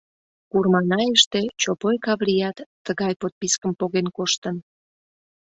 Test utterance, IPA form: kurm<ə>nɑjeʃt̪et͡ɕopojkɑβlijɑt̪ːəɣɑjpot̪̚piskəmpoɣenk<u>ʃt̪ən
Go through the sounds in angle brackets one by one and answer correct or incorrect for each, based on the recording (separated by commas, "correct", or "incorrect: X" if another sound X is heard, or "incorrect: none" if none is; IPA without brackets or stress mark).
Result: incorrect: ɑ, incorrect: o